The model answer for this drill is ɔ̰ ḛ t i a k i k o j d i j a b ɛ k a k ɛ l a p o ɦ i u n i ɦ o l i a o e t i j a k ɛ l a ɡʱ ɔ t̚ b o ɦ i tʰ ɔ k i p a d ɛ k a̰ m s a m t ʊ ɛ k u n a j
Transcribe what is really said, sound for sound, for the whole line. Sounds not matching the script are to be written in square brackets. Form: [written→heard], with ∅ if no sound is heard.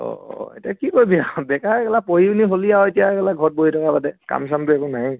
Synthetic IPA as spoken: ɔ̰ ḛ t i a k i k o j [d→b] i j a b ɛ k a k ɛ l a p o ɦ i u n i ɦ o l i a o e t i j a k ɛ l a ɡʱ ɔ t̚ b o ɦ i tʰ ɔ k [i→a] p a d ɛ k a̰ m s a m t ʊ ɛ k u n a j